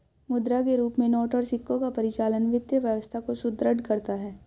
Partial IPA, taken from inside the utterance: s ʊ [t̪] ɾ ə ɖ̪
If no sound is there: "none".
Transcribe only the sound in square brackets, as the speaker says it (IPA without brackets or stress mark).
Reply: d̪